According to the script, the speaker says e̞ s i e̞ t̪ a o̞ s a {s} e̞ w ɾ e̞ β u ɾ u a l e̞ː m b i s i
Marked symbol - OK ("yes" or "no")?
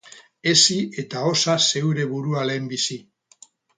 yes